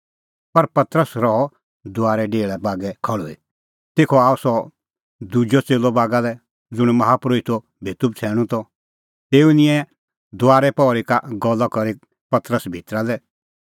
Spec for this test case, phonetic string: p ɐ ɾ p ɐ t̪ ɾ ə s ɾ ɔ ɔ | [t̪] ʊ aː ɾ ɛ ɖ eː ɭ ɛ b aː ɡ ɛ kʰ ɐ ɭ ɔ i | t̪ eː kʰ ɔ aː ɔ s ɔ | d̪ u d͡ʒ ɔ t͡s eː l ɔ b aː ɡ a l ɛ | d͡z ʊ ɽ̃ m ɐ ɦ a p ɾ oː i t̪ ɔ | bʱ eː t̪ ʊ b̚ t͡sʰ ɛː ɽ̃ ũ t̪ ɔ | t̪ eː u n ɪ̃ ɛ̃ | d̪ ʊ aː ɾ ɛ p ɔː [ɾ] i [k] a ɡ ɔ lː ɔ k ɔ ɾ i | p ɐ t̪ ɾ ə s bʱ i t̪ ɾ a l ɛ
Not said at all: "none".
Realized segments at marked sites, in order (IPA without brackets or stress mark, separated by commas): d̪, ɾ, k